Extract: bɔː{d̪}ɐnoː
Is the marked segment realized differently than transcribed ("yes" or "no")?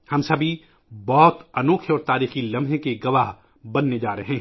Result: yes